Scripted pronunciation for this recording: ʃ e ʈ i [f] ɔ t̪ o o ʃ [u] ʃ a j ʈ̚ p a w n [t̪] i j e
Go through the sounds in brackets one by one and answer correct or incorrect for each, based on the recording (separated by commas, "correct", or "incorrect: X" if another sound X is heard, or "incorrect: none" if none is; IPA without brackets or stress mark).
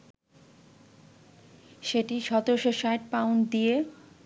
incorrect: ʃ, incorrect: o, incorrect: d̪